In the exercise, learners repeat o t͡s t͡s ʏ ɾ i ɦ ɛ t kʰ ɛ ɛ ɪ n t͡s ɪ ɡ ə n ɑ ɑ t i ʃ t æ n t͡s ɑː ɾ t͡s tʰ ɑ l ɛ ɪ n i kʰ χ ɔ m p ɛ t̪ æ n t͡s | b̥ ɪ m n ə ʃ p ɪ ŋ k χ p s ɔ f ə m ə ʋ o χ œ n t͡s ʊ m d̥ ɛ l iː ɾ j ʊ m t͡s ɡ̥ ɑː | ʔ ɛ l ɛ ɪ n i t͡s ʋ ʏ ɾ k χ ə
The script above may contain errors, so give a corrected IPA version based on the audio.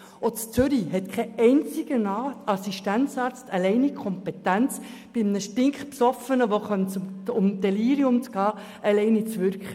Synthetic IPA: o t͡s t͡s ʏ ɾ i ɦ ɛ t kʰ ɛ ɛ ɪ n t͡s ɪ ɡ ə n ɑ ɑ s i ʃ t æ n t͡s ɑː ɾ t͡s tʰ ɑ l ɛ ɪ n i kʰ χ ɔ m p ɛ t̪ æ n t͡s | b̥ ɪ m n ə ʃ t ɪ ŋ k χ p s ɔ f ə n ə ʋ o χ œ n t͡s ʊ m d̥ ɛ l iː ɾ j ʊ m t͡s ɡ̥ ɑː | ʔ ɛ l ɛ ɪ n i t͡s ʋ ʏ ɾ k χ ə